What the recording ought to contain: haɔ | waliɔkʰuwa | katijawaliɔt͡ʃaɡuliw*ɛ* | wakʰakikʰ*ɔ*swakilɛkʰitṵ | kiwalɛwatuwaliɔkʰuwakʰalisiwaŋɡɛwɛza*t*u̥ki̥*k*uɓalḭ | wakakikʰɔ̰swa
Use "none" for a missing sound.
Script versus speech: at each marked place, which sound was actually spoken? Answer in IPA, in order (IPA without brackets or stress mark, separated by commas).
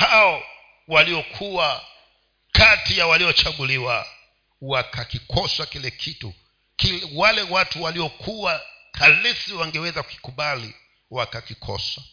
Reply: a, ɔ, k, k